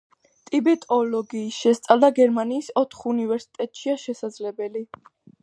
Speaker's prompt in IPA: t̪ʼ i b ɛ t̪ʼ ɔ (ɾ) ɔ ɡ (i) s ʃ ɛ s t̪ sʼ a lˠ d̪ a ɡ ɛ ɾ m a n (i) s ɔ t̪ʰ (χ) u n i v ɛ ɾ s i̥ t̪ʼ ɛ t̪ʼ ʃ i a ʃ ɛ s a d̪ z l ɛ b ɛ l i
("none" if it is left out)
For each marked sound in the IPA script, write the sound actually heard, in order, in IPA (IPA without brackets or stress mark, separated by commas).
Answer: l, iː, iː, χ